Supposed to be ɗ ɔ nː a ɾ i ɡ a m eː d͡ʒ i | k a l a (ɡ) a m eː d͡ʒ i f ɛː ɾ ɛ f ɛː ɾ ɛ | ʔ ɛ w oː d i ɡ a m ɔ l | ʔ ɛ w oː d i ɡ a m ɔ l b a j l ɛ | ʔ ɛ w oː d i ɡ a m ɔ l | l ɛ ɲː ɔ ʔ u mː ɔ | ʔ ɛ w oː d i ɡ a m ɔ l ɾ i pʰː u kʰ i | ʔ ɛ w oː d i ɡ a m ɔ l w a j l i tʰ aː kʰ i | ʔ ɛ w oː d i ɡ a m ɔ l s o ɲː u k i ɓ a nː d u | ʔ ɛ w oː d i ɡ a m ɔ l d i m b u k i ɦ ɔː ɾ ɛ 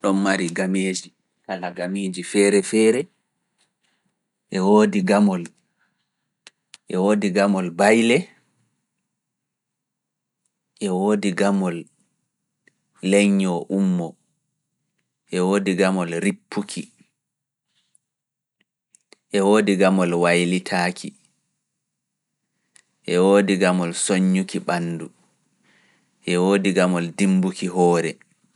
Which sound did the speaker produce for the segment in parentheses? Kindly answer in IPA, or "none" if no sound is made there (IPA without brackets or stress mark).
ɡ